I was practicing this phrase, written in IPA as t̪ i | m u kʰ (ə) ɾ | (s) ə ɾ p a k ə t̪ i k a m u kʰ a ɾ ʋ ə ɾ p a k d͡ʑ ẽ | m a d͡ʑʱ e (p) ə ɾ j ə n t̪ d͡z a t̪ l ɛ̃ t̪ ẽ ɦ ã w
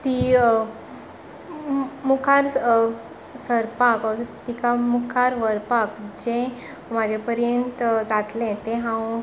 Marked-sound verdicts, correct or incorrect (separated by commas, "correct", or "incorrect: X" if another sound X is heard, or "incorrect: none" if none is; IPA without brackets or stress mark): incorrect: a, correct, correct